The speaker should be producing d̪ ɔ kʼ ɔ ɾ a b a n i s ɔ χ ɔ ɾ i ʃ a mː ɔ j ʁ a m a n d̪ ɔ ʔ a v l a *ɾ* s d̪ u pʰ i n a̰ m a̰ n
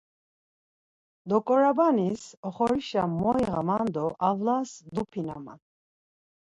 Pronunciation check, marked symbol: incorrect: none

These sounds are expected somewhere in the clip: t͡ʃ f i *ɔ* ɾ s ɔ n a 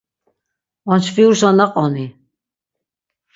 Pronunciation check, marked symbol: incorrect: u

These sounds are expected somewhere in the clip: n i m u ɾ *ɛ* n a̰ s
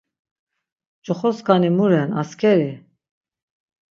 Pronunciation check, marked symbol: correct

